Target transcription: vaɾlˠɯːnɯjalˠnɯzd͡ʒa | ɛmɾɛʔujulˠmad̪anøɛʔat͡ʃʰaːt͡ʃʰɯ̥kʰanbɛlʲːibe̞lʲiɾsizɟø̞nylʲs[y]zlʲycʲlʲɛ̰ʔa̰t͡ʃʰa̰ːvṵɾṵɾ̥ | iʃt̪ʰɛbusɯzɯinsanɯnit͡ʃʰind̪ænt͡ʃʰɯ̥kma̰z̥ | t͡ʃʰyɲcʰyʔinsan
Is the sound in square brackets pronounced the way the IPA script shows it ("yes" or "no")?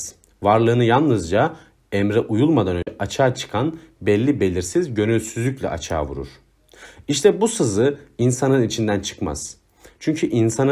yes